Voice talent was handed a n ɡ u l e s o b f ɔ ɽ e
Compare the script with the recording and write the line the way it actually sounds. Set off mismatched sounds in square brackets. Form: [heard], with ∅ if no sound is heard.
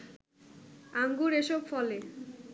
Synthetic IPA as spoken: a [ŋ] ɡ u [ɾ] e [ʃ] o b f ɔ [l] e